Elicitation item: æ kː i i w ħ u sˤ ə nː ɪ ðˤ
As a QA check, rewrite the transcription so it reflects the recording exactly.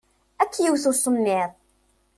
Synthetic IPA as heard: æ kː j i w θ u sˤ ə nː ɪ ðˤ